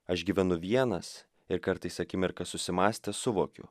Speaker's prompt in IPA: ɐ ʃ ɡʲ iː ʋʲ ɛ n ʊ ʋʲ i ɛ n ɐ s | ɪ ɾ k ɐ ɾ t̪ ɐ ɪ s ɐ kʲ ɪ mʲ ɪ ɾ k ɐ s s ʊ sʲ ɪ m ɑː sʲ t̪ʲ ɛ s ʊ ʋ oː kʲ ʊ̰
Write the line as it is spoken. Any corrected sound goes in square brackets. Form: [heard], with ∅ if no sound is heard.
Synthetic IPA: ɐ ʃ ɡʲ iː ʋʲ ɛ n ʊ ʋʲ i ɛ n ɐ s | ɪ ɾ k ɐ ɾ t̪ ɐ ɪ s ɐ kʲ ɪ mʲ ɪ ɾ k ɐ s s ʊ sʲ ɪ m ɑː sʲ t̪ʲ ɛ s ʊ ʋ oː kʲ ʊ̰